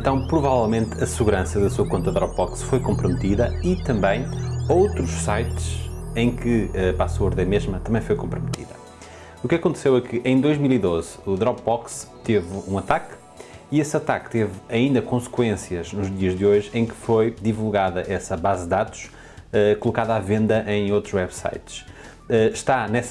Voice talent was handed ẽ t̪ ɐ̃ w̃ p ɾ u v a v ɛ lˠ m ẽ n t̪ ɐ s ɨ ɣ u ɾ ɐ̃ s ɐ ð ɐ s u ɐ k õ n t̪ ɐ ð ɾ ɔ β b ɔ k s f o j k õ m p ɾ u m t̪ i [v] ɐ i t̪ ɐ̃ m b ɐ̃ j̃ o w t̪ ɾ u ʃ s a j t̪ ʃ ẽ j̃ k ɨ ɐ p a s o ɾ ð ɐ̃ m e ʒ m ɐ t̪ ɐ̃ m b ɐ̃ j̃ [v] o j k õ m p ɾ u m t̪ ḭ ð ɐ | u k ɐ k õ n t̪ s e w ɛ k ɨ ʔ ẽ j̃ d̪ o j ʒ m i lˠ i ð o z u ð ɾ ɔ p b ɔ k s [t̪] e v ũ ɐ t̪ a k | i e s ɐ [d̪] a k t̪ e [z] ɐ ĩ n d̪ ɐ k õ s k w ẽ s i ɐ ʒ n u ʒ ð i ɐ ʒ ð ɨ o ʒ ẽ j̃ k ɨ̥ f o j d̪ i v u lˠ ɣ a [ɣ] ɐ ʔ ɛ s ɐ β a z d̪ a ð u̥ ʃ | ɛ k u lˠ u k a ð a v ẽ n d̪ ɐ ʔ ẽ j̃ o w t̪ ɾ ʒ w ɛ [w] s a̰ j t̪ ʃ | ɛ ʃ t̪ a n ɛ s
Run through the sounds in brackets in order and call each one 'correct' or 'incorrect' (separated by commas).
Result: incorrect, incorrect, correct, incorrect, incorrect, incorrect, incorrect